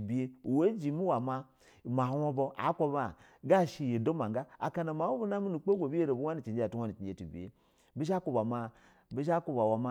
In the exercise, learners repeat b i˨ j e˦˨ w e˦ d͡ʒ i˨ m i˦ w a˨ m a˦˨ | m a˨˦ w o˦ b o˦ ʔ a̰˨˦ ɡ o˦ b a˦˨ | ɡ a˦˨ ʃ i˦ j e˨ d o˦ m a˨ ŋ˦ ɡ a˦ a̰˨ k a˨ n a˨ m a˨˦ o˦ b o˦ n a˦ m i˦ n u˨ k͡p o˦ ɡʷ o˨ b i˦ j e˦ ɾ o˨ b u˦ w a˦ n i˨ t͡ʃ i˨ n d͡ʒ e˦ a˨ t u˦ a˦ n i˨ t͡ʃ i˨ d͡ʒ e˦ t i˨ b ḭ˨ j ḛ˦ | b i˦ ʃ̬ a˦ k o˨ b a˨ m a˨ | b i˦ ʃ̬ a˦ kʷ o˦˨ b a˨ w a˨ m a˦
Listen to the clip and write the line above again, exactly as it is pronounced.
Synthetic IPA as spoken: b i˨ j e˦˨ w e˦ d͡ʒ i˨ m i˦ w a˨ m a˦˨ | m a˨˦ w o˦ b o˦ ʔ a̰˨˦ k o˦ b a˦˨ | ɡ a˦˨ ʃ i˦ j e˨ d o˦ m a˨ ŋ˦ ɡ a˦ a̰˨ k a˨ n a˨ m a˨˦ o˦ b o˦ n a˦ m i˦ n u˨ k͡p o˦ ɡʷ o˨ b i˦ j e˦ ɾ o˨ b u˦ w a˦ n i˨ t͡ʃ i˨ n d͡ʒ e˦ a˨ t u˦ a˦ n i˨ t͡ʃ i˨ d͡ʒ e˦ t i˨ b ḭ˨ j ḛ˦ | b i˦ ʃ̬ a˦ k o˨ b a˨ m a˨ | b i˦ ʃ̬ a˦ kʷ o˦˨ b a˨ w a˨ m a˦